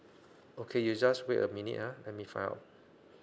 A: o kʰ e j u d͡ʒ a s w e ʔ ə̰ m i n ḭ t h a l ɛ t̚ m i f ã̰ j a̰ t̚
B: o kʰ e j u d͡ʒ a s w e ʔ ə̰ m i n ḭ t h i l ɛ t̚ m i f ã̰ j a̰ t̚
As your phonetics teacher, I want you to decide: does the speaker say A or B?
A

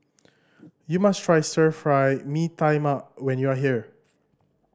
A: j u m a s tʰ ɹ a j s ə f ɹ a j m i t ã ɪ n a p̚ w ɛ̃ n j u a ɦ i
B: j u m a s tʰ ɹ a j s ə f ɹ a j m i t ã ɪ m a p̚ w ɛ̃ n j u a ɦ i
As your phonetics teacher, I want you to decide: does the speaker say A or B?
B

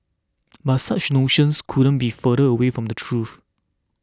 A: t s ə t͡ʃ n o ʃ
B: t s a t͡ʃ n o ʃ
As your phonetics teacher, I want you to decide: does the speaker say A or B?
B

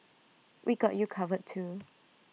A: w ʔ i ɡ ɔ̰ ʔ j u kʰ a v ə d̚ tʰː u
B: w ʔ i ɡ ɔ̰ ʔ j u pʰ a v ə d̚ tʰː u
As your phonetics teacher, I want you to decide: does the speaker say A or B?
A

